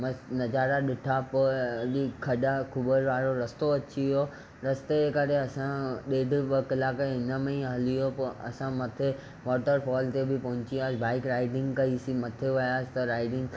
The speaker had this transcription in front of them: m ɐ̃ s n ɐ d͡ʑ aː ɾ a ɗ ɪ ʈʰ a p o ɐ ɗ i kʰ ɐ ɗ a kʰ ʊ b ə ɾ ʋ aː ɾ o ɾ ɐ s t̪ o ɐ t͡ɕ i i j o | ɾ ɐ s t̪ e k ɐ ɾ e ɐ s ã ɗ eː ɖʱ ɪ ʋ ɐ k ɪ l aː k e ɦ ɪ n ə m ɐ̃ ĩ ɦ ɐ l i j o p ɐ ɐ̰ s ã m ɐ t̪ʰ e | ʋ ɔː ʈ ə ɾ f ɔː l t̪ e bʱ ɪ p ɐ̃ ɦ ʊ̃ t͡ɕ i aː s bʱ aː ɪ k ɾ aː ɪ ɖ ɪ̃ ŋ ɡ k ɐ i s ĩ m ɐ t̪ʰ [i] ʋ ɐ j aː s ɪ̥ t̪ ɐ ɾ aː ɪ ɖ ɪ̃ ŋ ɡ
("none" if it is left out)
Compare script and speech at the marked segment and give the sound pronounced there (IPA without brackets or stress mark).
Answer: e